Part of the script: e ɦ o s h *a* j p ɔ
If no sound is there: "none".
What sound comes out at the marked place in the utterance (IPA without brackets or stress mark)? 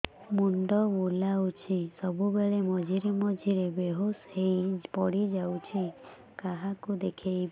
e